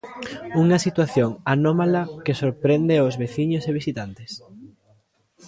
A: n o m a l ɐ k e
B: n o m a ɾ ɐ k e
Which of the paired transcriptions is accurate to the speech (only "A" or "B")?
A